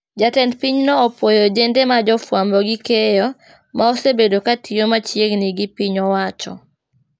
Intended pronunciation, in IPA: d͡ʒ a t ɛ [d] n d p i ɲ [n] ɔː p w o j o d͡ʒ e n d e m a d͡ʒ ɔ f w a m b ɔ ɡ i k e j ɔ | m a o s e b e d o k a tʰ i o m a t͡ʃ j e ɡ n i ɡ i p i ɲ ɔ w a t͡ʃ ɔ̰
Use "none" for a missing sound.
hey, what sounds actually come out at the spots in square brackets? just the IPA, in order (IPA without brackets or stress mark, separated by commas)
none, n